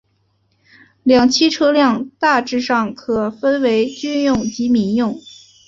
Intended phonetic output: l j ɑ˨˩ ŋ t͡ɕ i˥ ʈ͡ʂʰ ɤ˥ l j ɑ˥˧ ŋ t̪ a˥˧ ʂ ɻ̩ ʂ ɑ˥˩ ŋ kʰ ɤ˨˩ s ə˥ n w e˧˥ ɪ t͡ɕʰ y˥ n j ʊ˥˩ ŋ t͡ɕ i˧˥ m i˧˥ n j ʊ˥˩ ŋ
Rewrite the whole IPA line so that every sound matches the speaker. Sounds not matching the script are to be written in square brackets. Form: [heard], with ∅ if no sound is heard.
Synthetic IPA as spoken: l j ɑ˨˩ ŋ [t͡ɕʰ] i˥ ʈ͡ʂʰ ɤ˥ l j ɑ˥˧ ŋ t̪ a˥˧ [ʈ͡ʂ] ɻ̩ ʂ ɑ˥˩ ŋ kʰ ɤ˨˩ [f] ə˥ n w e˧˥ ɪ [t͡ɕ] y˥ n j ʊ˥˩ ŋ t͡ɕ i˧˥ m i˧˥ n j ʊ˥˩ ŋ